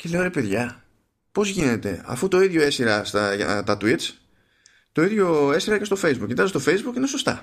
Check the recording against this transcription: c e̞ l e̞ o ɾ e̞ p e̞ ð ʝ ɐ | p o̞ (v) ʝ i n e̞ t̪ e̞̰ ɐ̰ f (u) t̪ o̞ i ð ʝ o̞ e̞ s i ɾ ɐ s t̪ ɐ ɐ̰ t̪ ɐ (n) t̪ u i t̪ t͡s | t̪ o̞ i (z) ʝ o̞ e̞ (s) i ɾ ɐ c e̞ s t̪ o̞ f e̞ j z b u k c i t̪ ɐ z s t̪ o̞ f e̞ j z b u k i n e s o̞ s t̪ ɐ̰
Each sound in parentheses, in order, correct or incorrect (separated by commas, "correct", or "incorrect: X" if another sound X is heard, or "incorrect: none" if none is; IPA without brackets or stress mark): incorrect: z, correct, incorrect: none, incorrect: ð, correct